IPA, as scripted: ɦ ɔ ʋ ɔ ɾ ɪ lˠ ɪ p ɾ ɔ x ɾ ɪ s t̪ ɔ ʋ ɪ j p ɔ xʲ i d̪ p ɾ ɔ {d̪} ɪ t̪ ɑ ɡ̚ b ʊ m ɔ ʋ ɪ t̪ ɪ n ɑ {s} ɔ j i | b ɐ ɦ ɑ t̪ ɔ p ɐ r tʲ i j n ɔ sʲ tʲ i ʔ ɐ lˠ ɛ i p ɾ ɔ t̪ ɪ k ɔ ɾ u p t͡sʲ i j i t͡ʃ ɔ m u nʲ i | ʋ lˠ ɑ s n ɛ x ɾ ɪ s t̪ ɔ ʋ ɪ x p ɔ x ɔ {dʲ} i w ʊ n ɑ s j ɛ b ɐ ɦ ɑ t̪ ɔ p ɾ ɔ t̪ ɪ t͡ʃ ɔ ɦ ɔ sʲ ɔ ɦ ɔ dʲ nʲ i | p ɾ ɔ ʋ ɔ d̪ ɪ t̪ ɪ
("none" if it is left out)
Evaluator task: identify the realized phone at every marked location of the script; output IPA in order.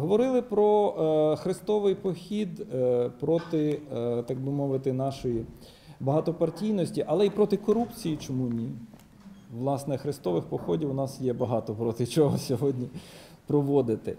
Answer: t̪, ʃ, dʲ

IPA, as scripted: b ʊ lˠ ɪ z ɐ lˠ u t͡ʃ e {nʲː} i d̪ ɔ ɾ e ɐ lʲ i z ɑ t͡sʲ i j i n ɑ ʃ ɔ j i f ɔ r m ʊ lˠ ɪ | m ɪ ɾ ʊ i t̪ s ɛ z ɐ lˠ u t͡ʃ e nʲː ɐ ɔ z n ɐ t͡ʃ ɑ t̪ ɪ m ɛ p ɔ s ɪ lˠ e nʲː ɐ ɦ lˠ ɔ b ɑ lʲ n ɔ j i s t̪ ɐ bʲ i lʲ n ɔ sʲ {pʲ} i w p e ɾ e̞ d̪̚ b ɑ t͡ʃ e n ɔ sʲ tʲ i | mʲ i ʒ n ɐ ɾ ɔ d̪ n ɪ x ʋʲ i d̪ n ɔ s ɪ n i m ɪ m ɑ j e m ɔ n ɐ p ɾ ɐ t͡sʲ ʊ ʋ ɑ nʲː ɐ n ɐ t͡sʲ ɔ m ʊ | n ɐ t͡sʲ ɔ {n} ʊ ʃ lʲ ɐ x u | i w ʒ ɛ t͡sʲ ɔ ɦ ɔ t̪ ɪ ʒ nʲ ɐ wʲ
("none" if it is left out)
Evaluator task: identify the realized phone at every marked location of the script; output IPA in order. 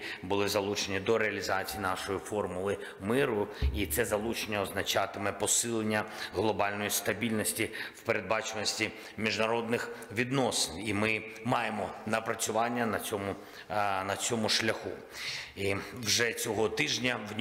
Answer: nʲ, tʲ, m

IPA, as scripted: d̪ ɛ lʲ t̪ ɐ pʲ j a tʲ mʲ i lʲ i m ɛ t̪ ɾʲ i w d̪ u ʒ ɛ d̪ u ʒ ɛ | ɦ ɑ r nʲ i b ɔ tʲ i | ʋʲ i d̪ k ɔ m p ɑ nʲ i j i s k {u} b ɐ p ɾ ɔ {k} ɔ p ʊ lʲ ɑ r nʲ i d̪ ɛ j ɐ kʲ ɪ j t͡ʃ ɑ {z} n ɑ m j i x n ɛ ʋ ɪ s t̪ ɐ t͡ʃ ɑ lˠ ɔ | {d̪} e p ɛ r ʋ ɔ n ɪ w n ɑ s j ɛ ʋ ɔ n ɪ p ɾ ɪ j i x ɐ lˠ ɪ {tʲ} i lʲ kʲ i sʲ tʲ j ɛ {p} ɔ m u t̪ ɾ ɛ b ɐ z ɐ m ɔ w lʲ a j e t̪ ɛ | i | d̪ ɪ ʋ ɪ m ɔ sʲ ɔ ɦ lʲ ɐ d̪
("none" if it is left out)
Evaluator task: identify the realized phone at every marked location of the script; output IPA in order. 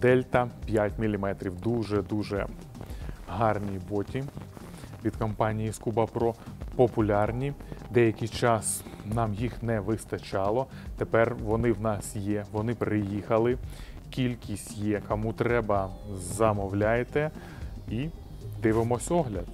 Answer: u, p, s, t̪, kʲ, k

